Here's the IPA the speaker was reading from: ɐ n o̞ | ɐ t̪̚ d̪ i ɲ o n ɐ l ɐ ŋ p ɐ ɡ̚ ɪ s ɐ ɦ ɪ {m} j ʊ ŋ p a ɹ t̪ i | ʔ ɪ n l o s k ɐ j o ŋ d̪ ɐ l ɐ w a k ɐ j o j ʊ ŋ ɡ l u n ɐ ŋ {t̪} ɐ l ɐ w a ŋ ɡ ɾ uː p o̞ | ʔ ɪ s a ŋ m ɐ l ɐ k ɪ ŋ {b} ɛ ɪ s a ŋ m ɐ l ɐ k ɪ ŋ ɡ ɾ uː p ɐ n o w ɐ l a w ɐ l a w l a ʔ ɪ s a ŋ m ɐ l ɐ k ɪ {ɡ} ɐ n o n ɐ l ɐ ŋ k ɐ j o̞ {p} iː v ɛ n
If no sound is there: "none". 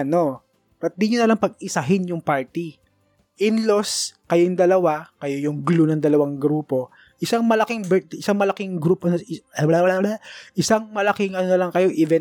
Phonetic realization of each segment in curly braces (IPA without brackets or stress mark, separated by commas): n, d̪, b, ŋ, ʔ